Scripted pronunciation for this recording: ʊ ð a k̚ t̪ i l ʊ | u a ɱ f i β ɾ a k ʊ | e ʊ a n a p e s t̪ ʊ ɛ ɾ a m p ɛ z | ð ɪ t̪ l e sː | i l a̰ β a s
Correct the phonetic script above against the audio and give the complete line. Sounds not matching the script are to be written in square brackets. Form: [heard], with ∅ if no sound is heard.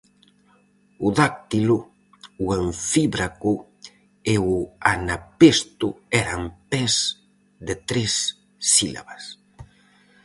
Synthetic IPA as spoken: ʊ ð a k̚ t̪ i l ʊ | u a ɱ f i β ɾ a k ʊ | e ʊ a n a p e s t̪ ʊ ɛ ɾ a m p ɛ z | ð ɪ t̪ [ɾ] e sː | i l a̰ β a s